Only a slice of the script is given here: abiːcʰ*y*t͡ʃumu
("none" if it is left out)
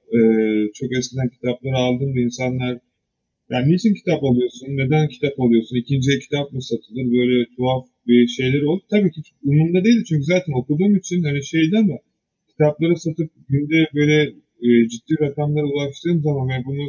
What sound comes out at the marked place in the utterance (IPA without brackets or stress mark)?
i